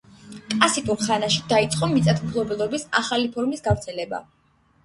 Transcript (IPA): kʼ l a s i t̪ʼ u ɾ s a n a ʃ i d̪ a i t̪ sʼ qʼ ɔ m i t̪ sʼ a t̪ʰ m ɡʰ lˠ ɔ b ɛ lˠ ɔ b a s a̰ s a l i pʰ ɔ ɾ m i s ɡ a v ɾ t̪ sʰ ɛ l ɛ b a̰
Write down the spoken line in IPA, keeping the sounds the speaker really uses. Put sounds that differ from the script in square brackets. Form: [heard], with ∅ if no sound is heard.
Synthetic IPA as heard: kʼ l a s i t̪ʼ u ɾ [χ] a n a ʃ i d̪ a i t̪ sʼ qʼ ɔ m i t̪ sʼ a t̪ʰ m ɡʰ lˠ ɔ b ɛ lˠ ɔ b [i] s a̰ [χ] a l i pʰ ɔ ɾ m i s ɡ a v ɾ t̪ sʰ ɛ l ɛ b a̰